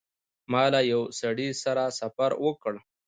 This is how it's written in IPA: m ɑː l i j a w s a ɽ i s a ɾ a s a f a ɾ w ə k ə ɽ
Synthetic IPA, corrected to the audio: m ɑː l a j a w s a ɽ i s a ɾ a s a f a ɾ w ə k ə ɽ